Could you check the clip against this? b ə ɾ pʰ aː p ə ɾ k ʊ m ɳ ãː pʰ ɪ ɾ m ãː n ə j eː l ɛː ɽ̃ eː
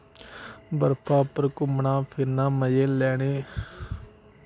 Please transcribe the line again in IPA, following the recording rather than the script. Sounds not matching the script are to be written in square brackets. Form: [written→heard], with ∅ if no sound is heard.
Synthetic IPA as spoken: b ə ɾ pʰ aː p ə ɾ k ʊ m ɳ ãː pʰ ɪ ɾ [m→n] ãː [n→m] ə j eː l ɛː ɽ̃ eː